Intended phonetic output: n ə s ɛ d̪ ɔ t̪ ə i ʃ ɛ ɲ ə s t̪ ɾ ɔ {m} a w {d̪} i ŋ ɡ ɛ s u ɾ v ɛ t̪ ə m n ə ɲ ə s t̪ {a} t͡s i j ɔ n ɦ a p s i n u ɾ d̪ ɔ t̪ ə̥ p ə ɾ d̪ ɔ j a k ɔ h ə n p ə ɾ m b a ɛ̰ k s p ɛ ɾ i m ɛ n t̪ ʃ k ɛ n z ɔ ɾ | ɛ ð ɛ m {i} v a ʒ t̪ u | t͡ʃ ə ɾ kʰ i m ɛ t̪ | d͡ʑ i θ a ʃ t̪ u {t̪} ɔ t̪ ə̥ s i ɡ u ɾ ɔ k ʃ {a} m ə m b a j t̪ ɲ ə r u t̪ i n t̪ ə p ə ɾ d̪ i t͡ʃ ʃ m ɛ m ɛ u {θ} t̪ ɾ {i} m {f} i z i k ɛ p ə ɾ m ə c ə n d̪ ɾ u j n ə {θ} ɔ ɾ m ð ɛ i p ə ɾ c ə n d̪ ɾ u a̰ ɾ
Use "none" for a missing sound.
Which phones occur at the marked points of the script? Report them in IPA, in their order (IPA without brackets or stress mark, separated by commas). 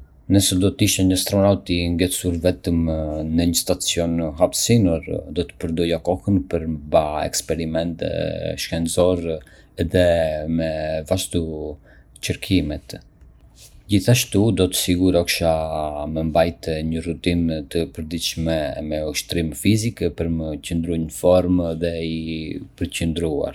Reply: n, t̪, a, ɛ, d̪, a, ʃ, i, f, f